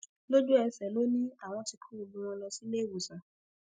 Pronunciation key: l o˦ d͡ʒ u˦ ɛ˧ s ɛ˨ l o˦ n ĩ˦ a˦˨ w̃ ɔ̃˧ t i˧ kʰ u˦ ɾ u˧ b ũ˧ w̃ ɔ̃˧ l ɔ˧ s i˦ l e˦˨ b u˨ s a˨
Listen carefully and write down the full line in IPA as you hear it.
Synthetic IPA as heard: l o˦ d͡ʒ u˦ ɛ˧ s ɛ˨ l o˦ n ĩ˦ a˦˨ w̃ ɔ̃˧ t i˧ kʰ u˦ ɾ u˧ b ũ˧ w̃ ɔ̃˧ l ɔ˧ s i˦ l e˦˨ w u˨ s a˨